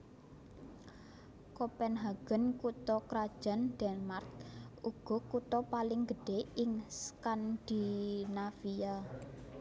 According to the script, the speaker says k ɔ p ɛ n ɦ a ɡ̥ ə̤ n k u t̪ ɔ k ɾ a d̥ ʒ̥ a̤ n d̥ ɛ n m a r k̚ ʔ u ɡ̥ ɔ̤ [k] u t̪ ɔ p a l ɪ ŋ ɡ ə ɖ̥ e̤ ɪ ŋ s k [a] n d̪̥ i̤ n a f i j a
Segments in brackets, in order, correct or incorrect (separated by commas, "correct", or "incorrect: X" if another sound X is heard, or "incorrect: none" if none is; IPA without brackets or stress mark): correct, correct